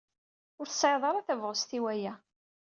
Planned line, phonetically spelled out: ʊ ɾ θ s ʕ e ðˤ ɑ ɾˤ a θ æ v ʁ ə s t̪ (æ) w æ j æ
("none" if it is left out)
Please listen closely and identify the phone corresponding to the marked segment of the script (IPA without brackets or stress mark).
i